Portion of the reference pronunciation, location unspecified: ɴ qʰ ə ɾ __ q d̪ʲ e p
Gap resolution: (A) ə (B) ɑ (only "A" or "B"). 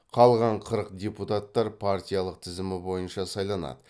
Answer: A